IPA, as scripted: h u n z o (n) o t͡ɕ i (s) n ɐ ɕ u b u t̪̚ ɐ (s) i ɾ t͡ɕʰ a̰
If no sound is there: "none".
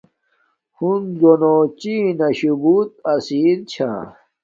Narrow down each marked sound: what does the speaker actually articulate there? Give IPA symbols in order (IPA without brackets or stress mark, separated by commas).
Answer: n, none, s